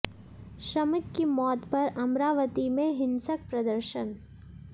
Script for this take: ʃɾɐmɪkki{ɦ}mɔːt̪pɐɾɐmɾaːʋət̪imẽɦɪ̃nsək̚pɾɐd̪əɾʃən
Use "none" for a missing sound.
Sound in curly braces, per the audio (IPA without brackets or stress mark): none